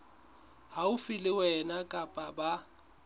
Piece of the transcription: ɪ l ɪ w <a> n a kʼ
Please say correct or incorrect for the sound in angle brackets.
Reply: incorrect: ɛ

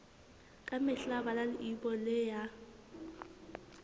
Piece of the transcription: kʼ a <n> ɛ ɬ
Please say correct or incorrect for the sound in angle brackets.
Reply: incorrect: m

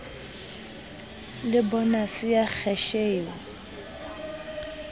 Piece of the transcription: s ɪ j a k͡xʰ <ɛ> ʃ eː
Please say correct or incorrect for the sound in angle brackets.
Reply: correct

